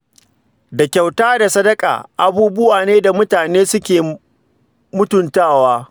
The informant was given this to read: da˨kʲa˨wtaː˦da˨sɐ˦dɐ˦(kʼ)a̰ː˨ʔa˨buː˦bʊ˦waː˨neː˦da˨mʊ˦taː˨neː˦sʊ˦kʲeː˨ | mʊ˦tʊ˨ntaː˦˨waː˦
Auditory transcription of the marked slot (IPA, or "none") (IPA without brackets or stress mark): kʼ